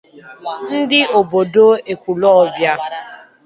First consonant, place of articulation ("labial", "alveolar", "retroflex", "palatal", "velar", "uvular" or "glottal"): alveolar